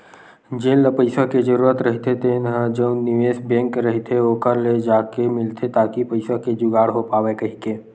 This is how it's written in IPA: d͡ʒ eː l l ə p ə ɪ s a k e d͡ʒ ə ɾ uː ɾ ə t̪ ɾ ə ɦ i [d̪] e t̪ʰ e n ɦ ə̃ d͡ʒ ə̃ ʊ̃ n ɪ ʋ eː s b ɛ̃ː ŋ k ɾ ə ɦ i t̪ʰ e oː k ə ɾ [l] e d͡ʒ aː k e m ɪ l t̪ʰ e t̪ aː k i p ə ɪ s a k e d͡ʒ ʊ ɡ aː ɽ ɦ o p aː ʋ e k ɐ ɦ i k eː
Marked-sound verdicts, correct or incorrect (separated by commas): incorrect, correct